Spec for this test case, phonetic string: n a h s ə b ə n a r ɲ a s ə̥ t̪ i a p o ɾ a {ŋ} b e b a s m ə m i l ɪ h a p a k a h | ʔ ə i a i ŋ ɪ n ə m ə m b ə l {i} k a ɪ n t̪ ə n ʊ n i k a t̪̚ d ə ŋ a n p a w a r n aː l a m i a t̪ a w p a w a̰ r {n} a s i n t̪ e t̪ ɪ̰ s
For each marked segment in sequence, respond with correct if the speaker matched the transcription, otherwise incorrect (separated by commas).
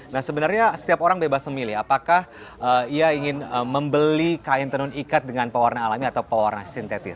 correct, correct, correct